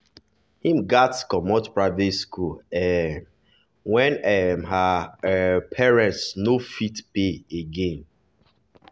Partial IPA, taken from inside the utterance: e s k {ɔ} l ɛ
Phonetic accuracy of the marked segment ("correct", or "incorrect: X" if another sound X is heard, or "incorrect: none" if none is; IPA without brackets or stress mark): incorrect: u